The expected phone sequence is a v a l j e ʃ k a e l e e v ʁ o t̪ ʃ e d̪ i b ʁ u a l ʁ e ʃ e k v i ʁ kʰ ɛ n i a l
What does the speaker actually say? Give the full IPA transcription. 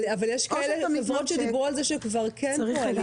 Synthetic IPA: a v a l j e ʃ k a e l e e v ʁ o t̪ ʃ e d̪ i b ʁ u a l z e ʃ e k v a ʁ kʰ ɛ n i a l